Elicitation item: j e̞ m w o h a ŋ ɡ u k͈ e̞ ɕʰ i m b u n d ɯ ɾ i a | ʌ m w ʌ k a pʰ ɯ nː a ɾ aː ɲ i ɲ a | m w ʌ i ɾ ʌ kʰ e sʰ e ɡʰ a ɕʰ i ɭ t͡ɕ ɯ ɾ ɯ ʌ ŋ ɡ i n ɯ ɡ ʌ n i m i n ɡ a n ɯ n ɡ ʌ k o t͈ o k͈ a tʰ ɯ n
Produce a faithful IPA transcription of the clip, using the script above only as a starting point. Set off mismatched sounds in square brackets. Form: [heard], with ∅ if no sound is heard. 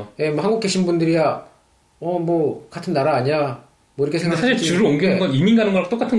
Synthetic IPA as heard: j e̞ m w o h a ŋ ɡ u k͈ e̞ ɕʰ i [n] b u n d ɯ ɾ i a | ʌ m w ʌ k a [tʰ] ɯ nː a ɾ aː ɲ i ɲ a | m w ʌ i ɾ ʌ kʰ e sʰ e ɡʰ a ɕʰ i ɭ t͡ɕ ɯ ɾ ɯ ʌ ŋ ɡ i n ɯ ɡ ʌ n i m i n ɡ a n ɯ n ɡ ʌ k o t͈ o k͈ a tʰ ɯ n